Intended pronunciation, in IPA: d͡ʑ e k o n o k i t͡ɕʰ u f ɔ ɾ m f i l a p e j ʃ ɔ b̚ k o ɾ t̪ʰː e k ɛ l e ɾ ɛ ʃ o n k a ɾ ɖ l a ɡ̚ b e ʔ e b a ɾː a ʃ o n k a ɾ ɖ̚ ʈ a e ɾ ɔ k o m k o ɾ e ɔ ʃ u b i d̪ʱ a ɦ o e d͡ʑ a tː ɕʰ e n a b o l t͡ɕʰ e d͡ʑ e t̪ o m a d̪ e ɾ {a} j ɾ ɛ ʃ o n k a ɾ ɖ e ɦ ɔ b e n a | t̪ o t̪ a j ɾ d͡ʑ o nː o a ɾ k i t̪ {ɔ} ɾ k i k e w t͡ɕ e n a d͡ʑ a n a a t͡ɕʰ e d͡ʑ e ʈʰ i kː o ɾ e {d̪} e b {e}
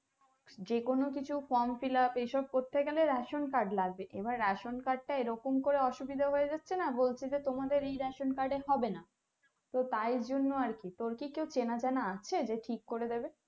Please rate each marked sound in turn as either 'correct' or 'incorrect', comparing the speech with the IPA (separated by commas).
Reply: incorrect, incorrect, correct, correct